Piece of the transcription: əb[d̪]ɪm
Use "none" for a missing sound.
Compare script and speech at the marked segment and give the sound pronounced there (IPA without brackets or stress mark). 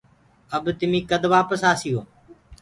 t̪